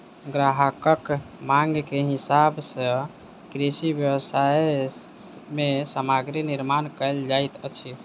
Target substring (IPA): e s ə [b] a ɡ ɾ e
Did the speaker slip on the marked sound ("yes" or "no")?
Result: yes